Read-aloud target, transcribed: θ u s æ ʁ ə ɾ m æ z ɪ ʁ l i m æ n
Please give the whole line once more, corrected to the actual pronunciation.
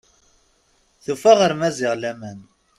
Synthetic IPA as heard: θ u f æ ʁ ə ɾ m æ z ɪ ʁ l æ m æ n